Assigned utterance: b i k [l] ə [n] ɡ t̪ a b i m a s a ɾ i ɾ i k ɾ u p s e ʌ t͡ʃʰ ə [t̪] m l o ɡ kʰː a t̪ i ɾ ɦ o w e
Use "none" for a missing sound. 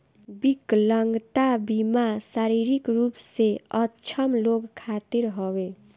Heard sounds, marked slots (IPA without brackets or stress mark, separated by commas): l, ŋ, none